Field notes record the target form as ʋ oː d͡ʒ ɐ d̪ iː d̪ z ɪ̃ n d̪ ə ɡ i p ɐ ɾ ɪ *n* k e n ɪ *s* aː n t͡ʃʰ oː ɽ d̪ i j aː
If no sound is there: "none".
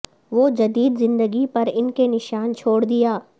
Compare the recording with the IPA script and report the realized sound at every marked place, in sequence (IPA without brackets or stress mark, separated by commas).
n, ʃ